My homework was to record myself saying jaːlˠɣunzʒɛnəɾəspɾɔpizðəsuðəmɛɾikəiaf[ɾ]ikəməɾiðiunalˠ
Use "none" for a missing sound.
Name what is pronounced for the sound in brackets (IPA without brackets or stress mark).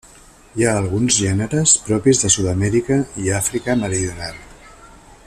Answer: ɾ